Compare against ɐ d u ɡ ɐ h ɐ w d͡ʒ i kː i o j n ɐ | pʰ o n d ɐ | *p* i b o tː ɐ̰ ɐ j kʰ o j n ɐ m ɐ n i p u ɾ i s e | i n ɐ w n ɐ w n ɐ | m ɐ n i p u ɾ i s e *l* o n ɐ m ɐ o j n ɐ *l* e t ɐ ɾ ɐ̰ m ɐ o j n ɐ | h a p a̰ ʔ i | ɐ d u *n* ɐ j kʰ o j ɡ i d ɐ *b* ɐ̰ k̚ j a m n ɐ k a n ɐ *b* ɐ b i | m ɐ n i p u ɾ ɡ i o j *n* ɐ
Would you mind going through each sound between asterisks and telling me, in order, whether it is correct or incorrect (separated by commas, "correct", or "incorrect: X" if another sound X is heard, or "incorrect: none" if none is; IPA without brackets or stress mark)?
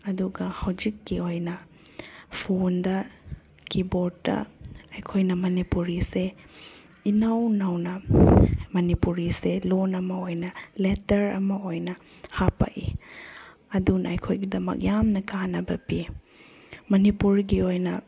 incorrect: k, correct, correct, correct, incorrect: m, correct, correct